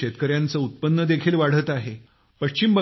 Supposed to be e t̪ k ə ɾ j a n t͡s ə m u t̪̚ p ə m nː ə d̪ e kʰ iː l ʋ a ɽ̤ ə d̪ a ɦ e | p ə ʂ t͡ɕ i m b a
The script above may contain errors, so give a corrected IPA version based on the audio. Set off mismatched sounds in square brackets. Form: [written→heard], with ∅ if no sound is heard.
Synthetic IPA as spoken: e t̪ k ə ɾ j a n t͡s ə [m→∅] u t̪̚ p ə [m→∅] nː ə d̪ e kʰ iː l ʋ a ɽ̤ ə [d̪→t̪] a ɦ e | p ə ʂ t͡ɕ i m b [a→ə]